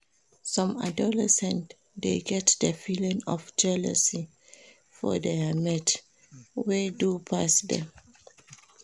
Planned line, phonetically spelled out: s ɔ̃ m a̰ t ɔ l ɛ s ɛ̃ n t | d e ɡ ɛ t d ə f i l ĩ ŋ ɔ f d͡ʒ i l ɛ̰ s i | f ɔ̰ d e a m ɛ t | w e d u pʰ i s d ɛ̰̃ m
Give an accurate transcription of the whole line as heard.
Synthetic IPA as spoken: s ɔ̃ m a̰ d ɔ l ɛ s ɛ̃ n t | d e ɡ ɛ t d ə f i l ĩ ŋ ɔ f d͡ʒ ɛ l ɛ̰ s i | f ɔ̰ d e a m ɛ t | w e d u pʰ a s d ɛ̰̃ m